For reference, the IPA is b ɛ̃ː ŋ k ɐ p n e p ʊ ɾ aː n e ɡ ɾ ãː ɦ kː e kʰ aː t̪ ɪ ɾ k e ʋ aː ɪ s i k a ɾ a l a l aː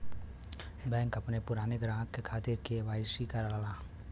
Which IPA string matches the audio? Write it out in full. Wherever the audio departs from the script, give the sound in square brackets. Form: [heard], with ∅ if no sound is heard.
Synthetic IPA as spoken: b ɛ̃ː ŋ k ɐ p n e p ʊ ɾ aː n e ɡ ɾ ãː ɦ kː e kʰ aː t̪ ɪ ɾ k e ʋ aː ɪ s i k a ɾ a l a l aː